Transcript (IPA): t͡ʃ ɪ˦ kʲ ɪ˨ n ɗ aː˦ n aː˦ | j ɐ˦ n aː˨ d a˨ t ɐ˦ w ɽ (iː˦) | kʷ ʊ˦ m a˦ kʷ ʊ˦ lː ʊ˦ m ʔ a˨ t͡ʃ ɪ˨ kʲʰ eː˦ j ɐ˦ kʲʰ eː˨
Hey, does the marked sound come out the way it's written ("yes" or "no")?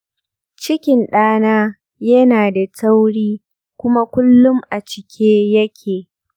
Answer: yes